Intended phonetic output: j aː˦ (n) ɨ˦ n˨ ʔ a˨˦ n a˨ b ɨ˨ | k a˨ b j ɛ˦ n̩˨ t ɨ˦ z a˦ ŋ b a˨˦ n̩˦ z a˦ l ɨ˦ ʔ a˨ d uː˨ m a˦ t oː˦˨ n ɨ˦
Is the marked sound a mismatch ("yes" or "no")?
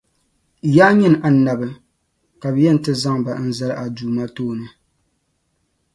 yes